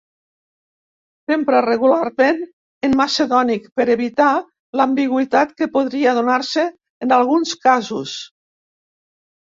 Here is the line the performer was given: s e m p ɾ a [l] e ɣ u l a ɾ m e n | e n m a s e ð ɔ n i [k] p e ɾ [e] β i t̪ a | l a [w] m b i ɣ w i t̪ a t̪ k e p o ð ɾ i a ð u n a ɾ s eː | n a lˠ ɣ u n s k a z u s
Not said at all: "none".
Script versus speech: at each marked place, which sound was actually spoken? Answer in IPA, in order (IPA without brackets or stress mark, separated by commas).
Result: r, k, e, none